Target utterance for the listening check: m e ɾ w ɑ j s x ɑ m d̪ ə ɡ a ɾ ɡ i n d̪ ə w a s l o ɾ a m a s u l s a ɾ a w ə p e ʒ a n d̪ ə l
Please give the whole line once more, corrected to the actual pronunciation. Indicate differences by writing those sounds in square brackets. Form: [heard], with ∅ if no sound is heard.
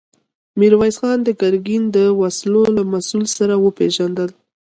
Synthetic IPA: m [i] ɾ w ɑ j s x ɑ [n] d̪ ə ɡ a ɾ ɡ i n d̪ ə w a s l o [l] a m a s u l s a ɾ a w ə p e ʒ a n d̪ ə l

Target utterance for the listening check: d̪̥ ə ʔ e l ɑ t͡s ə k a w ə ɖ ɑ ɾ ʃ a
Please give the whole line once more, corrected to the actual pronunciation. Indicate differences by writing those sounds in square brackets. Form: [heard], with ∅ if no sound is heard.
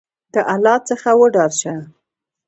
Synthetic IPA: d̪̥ ə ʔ [a] l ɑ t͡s ə [x] a w ə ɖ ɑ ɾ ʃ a

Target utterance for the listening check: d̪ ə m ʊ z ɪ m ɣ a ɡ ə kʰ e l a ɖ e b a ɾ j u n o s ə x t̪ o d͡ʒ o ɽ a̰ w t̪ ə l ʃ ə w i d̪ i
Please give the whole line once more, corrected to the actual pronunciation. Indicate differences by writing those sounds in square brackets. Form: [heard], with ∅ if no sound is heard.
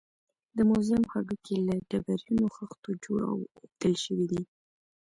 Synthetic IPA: d̪ ə m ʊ z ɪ m [x] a ɡ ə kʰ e l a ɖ [a] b a ɾ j u n o [x] ə x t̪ o d͡ʒ o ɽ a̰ w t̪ ə l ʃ ə w i d̪ i

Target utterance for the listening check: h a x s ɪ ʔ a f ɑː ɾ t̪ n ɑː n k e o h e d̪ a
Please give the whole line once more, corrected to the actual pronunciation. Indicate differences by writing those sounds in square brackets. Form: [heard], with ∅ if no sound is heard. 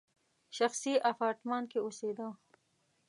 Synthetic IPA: [ʃ] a x s [i] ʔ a f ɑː ɾ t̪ [m] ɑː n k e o [s] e d̪ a

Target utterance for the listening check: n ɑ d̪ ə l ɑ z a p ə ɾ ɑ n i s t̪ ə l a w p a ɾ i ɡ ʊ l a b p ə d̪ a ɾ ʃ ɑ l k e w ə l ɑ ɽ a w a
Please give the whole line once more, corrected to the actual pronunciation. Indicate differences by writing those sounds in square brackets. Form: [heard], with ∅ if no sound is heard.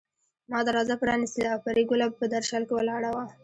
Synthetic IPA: [m] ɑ d̪ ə [ɾ] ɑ z a p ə ɾ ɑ n i s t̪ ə l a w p a ɾ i ɡ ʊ l a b p ə d̪ a ɾ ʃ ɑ l k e w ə l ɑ ɽ a w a

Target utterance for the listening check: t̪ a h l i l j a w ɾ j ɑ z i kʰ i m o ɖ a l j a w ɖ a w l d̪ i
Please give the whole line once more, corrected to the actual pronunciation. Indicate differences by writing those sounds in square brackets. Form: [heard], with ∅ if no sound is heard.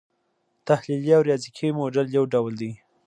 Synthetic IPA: t̪ a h l i l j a w ɾ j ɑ z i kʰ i m o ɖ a l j a w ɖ a w l d̪ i

